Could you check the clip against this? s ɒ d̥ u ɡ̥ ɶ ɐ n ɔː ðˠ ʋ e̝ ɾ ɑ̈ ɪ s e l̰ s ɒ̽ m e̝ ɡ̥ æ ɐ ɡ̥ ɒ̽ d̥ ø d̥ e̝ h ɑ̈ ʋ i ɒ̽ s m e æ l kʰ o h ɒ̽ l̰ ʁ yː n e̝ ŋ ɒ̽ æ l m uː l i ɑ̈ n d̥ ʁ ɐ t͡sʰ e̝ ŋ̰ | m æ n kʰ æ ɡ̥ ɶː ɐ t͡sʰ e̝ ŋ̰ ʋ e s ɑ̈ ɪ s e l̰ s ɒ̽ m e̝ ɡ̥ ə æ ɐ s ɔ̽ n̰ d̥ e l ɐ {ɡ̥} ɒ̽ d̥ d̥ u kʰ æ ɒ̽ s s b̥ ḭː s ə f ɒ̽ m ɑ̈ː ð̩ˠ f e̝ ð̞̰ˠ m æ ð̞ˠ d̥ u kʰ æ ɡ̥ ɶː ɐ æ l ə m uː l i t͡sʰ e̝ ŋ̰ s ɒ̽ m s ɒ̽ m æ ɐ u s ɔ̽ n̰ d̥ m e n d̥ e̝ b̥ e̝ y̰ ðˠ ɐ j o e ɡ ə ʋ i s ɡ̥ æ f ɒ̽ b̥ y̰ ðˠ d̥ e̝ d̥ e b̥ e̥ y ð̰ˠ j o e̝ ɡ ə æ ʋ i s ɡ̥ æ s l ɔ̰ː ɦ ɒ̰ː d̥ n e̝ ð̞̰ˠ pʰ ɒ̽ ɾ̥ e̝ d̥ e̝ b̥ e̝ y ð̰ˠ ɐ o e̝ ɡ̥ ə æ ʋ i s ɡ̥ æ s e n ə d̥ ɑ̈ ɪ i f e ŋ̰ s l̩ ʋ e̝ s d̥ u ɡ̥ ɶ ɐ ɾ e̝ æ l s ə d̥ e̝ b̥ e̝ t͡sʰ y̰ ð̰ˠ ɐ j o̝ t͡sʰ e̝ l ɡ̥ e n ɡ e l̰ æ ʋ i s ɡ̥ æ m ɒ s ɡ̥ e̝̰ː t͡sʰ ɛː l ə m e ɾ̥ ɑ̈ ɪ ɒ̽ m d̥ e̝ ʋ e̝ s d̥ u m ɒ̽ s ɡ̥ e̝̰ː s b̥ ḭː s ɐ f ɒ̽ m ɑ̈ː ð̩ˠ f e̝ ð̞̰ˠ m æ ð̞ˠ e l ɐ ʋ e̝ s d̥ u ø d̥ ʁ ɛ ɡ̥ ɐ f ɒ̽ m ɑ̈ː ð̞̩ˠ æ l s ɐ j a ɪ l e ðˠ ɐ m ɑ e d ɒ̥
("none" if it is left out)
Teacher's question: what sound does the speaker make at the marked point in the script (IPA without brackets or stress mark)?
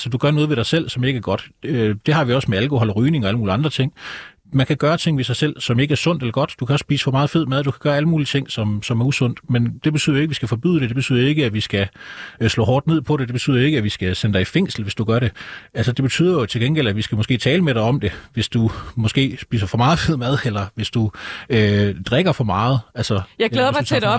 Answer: ɡ̥